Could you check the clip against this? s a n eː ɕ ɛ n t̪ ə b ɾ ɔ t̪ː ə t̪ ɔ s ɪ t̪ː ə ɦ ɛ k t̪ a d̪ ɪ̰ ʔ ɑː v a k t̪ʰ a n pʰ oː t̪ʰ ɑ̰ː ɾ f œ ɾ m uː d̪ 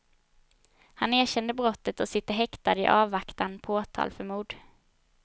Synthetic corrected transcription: h a n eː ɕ ɛ n d̪ ə b ɾ ɔ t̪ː ə t̪ ɔ s ɪ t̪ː ə ɦ ɛ k t̪ a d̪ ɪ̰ ʔ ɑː v a k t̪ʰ a n pʰ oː t̪ʰ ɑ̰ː l f œ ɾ m uː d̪